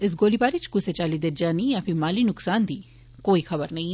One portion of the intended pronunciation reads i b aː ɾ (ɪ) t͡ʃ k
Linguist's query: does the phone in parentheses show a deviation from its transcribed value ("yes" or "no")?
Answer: yes